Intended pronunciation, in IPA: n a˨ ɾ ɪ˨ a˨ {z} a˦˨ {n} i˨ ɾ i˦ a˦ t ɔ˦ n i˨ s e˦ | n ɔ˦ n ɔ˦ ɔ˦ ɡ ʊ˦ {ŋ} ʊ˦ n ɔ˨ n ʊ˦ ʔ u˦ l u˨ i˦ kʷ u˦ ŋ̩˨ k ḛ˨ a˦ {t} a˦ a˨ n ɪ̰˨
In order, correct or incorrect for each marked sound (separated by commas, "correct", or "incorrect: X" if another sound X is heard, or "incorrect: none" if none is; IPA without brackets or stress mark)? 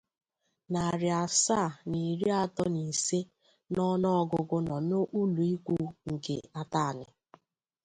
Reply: incorrect: s, correct, incorrect: ɡ, correct